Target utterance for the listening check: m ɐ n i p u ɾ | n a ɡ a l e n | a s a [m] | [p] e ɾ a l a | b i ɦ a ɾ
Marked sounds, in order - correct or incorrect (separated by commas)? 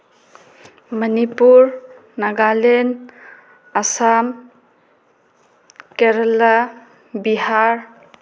correct, incorrect